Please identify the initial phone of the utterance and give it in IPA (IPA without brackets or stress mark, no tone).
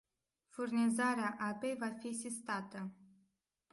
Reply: f